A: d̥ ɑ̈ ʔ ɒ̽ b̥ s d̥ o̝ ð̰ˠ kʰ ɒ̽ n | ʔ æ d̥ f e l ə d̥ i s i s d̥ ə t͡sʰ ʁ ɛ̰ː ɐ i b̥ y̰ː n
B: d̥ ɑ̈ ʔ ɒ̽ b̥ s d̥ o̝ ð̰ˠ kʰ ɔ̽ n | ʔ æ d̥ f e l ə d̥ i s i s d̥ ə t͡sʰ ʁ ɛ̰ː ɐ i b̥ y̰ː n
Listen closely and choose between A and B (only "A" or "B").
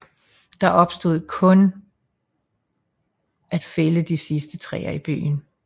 B